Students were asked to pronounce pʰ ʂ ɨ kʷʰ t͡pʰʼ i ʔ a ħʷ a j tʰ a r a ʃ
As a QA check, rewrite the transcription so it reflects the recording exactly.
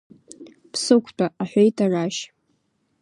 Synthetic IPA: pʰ s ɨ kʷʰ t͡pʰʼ a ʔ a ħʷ e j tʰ a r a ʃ